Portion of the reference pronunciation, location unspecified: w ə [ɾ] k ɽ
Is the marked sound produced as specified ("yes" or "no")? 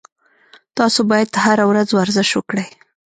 no